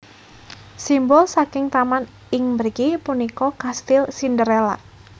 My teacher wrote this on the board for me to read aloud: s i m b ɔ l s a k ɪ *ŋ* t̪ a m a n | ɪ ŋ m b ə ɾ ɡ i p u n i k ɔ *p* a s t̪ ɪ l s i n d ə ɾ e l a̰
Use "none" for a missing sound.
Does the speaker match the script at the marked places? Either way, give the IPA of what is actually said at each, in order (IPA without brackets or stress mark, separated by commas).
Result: ŋ, k